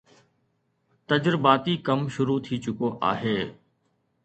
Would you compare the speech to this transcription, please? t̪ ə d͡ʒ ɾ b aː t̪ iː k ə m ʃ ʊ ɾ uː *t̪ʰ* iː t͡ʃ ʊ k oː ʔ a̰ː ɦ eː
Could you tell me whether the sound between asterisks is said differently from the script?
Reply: no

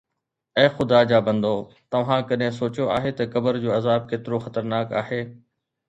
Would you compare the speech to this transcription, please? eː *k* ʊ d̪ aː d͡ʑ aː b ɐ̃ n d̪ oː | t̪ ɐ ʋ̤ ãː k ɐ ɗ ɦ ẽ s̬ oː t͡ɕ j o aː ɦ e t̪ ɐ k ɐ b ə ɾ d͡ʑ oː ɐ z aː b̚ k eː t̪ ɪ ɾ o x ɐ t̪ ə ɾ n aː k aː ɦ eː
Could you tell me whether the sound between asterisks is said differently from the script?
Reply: yes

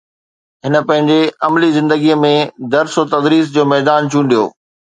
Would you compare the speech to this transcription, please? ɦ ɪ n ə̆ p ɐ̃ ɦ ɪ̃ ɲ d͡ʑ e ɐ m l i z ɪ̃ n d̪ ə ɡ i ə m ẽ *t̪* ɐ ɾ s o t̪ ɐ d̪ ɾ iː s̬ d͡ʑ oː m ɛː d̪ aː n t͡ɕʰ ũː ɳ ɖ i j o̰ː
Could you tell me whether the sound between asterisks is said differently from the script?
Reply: yes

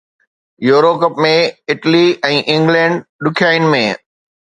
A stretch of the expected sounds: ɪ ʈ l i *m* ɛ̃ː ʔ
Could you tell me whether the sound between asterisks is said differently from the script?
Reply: yes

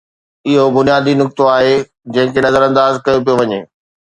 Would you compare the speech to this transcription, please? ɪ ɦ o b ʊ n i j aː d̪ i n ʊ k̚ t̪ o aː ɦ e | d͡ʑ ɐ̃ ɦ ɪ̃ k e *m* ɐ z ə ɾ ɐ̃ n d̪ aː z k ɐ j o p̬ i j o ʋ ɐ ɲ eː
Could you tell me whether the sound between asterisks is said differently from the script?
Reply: yes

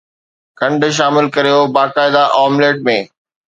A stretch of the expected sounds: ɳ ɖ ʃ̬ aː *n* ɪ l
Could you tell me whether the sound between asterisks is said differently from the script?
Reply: yes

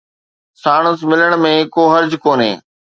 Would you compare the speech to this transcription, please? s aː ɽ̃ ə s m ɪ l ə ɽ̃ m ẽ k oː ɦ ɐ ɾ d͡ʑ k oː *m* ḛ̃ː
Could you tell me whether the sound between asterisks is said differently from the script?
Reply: yes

